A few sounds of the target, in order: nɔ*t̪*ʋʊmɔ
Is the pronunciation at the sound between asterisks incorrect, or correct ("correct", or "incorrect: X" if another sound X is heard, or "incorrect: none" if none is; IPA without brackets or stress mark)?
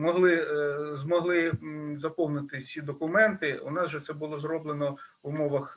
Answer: incorrect: none